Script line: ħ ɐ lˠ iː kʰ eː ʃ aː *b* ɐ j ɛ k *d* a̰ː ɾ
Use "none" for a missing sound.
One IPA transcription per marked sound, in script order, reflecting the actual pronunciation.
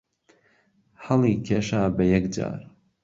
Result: b, d͡ʒ

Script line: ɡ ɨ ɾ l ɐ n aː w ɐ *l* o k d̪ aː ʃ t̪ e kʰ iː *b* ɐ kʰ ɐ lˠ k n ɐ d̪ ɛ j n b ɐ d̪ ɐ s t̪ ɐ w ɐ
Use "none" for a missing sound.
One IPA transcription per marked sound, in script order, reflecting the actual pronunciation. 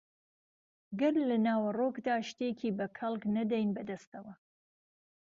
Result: r, b

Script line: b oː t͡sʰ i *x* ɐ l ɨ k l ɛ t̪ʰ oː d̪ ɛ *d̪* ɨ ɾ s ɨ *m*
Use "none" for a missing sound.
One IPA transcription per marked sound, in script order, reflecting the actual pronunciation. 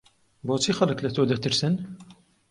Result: x, t̪, n

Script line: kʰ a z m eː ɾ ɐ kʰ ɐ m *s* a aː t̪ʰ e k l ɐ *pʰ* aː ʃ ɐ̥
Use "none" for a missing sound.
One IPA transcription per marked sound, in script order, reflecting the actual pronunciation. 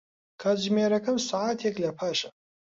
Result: s, pʰ

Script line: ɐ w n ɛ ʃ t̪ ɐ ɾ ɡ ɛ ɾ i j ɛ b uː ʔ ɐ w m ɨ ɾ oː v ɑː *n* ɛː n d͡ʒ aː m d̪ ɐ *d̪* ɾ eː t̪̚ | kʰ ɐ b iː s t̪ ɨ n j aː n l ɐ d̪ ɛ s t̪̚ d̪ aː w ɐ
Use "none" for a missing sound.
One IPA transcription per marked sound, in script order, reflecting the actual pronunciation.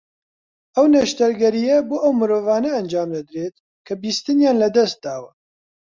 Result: n, d̪

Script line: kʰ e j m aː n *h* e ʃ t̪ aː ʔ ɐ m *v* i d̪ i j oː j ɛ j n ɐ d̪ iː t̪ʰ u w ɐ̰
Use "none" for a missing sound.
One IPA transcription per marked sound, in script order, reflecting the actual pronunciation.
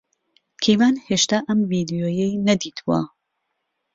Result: h, v

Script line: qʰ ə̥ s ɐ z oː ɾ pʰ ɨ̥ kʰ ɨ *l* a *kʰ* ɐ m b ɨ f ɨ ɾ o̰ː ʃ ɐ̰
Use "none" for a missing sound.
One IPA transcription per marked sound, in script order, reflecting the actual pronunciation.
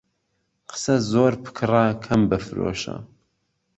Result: r, kʰ

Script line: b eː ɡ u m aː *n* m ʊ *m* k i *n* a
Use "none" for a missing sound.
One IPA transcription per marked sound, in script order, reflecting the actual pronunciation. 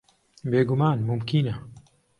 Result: n, m, n

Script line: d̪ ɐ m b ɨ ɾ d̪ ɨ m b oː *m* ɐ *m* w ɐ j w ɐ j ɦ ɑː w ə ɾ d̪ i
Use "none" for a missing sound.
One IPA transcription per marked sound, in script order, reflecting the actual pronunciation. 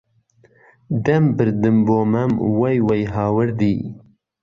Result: m, m

